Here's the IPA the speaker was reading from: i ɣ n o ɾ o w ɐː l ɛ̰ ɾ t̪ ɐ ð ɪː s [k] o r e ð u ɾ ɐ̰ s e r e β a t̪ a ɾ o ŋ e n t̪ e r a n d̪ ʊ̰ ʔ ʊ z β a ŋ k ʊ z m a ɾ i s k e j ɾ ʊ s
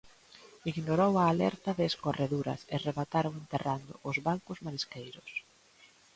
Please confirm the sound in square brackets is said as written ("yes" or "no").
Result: yes